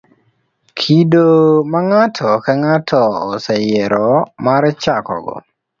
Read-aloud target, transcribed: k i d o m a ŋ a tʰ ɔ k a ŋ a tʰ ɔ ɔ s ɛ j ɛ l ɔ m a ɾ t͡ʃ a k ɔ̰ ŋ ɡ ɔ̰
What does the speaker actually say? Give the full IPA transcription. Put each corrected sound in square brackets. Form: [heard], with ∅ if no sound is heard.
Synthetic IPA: [kʰ] i d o m a ŋ a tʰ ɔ k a ŋ a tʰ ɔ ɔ s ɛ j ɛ [ɾ] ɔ m a ɾ t͡ʃ a k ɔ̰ [∅] ɡ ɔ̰